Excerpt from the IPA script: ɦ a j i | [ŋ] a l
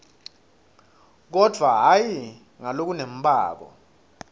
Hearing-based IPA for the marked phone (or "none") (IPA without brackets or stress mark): ŋ